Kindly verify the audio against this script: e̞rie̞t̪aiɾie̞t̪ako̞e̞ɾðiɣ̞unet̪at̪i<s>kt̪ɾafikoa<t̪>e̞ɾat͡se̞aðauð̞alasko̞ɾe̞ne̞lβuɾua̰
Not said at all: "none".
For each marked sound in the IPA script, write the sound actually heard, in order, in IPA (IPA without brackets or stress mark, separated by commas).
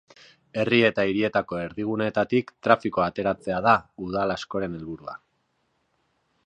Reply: none, t̪